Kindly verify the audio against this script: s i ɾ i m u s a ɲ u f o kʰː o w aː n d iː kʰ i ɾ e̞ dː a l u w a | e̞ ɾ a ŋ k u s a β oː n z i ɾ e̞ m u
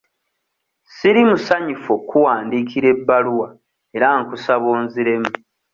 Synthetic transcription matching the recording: s i ɾ i m u s a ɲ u f o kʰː u w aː n d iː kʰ i ɾ e̞ bː a l u w a | e̞ ɾ a ŋ k u s a β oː n z i ɾ e̞ m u